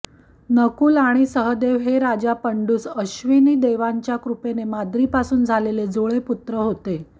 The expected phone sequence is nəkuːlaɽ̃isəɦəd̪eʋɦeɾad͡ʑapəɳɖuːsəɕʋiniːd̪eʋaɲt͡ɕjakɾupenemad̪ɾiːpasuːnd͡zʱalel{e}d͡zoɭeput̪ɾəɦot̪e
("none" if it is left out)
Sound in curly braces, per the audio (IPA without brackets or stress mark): e